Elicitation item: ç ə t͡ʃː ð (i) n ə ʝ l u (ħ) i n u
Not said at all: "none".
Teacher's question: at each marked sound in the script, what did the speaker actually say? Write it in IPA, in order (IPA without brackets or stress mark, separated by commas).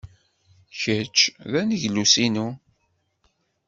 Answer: æ, s